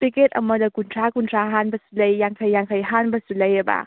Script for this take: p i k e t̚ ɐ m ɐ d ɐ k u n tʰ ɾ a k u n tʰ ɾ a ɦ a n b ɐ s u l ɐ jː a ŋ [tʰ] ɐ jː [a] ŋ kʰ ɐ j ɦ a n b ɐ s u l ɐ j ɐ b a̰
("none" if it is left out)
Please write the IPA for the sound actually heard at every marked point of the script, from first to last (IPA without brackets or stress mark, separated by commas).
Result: kʰ, a